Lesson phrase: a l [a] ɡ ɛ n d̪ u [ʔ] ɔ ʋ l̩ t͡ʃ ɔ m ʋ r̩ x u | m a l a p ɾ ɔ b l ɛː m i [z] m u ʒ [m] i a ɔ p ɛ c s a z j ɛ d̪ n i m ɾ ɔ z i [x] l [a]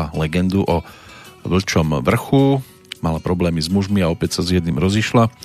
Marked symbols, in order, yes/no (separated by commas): no, yes, yes, yes, no, yes